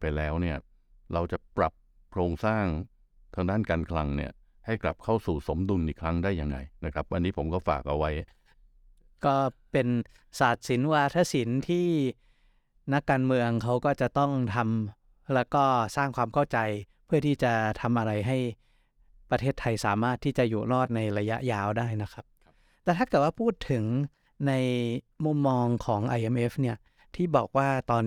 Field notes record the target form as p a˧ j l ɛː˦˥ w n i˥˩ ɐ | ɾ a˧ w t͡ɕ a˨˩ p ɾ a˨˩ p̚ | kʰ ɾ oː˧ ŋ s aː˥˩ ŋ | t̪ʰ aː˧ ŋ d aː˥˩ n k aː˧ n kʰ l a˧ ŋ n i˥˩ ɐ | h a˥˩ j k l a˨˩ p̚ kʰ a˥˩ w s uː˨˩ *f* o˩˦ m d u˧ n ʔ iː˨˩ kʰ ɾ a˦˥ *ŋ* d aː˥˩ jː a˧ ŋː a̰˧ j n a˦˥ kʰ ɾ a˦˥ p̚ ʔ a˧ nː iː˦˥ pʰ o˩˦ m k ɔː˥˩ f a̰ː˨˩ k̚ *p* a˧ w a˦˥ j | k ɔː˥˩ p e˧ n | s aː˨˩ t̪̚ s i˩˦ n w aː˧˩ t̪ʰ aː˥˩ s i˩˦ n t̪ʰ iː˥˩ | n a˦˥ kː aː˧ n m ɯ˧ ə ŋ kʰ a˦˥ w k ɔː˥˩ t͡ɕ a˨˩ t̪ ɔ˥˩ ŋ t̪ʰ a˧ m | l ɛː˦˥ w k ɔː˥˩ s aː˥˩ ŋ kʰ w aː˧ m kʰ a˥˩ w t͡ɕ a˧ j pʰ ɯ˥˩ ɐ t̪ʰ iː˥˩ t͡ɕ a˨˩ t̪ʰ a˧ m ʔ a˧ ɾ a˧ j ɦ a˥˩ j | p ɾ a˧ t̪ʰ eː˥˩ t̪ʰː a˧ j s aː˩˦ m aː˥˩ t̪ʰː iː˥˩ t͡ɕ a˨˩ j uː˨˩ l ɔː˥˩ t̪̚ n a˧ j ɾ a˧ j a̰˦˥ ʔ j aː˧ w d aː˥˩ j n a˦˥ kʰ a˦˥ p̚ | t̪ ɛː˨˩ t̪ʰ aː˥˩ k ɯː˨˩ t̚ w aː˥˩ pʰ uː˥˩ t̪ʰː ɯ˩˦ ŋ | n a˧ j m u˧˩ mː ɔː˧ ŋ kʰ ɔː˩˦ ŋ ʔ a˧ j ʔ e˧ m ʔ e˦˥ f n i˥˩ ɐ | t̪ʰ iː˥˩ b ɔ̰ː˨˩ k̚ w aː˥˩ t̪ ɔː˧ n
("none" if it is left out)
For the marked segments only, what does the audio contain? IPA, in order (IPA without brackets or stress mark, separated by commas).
s, ŋ, ʔ